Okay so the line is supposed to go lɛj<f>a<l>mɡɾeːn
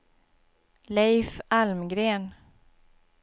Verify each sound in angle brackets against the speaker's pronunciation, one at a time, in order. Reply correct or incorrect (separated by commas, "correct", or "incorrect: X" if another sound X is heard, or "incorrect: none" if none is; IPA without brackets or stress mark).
correct, correct